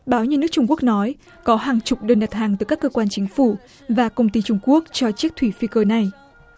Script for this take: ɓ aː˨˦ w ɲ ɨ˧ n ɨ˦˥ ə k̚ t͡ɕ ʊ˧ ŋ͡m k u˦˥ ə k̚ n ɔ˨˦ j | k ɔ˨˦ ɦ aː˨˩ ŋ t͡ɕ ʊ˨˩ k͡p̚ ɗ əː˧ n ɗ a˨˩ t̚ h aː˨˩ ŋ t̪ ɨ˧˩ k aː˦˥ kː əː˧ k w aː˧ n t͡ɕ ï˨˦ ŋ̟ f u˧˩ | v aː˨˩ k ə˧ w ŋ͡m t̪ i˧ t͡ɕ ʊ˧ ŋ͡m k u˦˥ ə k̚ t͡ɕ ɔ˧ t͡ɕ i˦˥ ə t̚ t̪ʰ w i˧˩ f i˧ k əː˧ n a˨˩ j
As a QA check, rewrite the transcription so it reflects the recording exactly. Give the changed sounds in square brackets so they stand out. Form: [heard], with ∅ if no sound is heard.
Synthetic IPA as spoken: ɓ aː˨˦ w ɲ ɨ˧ n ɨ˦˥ ə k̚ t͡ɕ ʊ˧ ŋ͡m k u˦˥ ə k̚ n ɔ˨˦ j | k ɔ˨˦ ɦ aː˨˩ ŋ t͡ɕ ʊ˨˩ k͡p̚ ɗ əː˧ n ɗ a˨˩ t̚ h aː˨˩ ŋ t̪ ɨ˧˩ k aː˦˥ kː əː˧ k w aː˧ n t͡ɕ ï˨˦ ŋ̟ f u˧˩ | v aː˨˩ k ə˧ w ŋ͡m t̪ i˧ t͡ɕ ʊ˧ ŋ͡m k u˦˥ ə k̚ t͡ɕ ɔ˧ t͡ɕ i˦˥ ə [k̚] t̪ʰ w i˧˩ f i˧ k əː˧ n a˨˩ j